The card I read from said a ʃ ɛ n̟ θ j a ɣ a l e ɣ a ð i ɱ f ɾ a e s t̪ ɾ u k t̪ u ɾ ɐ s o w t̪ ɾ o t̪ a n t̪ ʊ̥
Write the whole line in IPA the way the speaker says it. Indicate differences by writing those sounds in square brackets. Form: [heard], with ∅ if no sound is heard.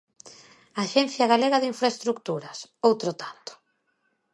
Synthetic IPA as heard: a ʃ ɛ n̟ θ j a ɣ a l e ɣ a ð i ɱ f ɾ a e s t̪ ɾ u k t̪ u ɾ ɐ s o w t̪ ɾ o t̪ a n t̪ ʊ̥